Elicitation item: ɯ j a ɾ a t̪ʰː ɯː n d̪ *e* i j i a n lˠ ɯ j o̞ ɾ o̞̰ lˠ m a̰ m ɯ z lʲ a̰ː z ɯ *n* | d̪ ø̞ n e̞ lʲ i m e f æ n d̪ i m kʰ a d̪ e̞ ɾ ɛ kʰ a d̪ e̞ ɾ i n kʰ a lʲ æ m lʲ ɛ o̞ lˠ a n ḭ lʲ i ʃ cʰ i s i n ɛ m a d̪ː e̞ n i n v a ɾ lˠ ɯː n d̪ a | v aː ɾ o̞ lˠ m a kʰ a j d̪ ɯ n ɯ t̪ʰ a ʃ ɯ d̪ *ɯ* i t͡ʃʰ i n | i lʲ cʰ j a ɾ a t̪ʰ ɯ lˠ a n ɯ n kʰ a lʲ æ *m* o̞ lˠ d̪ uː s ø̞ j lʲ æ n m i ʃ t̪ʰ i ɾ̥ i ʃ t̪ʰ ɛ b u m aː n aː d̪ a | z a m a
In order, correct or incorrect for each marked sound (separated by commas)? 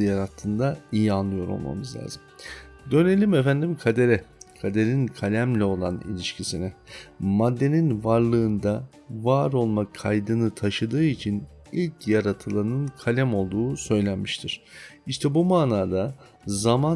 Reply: incorrect, incorrect, incorrect, correct